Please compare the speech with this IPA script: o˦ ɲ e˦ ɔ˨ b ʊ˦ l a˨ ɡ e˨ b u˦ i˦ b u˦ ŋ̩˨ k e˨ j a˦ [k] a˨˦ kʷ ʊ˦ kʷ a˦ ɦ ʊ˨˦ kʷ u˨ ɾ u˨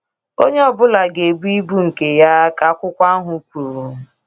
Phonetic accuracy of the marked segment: correct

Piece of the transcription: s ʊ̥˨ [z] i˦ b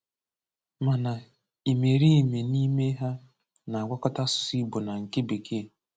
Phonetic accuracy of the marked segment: incorrect: s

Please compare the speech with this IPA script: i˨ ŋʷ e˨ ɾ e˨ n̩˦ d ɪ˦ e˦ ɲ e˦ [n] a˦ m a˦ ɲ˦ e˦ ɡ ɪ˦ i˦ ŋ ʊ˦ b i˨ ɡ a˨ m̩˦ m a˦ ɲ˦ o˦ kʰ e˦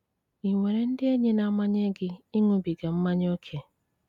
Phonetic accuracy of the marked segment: correct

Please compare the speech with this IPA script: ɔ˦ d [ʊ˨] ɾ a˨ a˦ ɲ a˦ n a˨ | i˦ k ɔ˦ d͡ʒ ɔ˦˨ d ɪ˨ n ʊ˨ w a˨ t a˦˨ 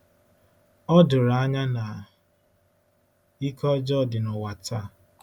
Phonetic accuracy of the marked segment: correct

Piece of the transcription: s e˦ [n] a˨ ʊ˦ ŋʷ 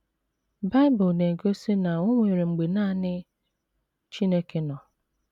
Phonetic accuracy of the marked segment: correct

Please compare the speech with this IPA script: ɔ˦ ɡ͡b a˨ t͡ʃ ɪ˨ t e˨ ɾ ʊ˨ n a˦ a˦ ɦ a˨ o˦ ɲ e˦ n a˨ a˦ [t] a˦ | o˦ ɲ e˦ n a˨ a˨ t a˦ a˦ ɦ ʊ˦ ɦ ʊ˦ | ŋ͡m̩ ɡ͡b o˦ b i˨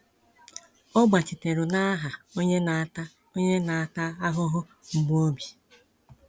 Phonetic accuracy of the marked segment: correct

